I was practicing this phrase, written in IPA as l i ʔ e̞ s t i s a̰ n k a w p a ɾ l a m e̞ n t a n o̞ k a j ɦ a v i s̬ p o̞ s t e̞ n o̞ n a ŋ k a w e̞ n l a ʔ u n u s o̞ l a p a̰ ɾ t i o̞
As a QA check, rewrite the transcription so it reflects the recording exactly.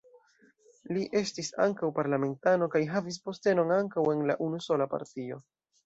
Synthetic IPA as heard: l i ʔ e̞ s t i s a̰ ŋ k a w p a ɾ l a m e̞ n t a n o̞ k a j ɦ a v i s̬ p o̞ s t e̞ n o̞ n a ŋ k a w e̞ n l a ʔ u n u s o̞ l a p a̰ ɾ t i o̞